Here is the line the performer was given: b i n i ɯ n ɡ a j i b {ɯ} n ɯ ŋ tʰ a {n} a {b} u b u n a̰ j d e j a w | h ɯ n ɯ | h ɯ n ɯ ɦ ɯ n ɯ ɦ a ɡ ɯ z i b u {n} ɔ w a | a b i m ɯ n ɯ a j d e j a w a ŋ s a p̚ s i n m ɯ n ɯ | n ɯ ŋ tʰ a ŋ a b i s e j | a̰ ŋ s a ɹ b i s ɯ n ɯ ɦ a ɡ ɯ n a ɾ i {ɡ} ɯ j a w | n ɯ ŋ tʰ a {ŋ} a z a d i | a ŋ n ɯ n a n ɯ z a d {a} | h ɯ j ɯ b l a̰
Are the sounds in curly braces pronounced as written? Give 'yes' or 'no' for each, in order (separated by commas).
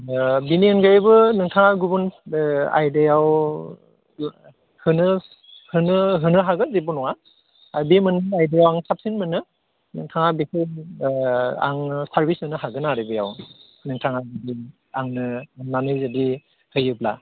yes, no, no, yes, no, yes, no